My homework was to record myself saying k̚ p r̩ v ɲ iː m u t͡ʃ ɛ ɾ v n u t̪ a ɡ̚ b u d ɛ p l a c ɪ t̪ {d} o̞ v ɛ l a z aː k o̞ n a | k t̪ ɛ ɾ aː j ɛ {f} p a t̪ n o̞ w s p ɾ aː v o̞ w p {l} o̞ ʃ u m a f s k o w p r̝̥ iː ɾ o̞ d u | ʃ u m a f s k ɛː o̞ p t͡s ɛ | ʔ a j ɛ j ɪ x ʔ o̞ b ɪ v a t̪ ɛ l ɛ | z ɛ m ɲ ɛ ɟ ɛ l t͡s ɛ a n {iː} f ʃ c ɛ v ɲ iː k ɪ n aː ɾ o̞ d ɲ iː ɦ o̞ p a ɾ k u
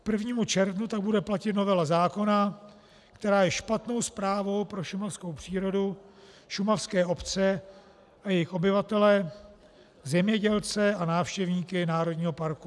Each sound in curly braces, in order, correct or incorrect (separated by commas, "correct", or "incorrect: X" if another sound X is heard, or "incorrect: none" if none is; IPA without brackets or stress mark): incorrect: n, incorrect: ʃ, incorrect: ɾ, incorrect: aː